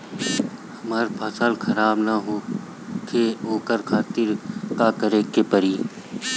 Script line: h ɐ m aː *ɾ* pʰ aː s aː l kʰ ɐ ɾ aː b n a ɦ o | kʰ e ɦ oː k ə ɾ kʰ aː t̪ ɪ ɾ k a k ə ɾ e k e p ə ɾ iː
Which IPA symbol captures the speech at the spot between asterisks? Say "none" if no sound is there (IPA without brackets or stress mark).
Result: ɾ